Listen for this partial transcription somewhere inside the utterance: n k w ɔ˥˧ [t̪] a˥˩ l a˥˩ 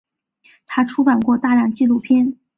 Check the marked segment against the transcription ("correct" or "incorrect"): correct